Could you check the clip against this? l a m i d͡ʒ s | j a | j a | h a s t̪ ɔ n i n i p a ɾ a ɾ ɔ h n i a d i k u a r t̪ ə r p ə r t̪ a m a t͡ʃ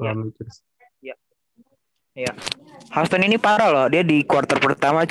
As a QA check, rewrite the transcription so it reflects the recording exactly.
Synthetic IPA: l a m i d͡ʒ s | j a | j a | h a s t̪ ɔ n i n i p a ɾ a l ɔ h d i a d i k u a r t̪ ə r p ə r t̪ a m a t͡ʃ